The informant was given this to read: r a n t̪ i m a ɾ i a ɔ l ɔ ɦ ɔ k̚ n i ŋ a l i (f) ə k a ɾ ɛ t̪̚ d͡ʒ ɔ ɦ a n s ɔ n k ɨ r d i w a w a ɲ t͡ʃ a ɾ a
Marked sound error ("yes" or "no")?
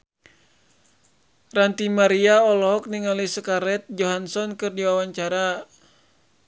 yes